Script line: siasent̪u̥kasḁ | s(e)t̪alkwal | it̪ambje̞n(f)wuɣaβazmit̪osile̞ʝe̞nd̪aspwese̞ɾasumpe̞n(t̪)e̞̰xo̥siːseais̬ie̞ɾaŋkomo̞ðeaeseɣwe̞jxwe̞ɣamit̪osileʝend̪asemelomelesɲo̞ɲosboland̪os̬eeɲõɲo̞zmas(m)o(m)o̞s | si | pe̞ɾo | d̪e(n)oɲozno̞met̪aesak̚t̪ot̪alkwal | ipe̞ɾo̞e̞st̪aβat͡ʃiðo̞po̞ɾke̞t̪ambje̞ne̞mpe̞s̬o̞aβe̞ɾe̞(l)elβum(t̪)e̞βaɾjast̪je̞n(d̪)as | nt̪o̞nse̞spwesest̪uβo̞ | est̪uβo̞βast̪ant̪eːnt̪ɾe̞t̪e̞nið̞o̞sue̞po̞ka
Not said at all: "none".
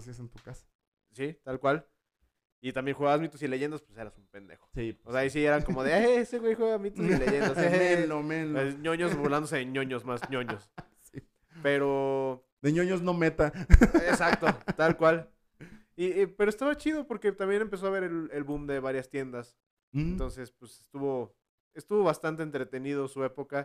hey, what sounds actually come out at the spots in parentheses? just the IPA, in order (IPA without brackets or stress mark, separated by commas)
i, x, d̪, ɲ, ɲ, ɲ, l, d̪, d̪